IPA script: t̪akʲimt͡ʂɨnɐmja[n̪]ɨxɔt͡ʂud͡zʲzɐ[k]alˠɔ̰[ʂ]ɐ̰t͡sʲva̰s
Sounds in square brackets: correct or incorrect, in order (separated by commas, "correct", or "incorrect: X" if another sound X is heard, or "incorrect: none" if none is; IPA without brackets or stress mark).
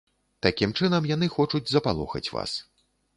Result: correct, incorrect: p, incorrect: x